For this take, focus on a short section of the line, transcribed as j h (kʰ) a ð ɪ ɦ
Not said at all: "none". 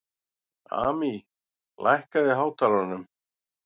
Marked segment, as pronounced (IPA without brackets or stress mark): k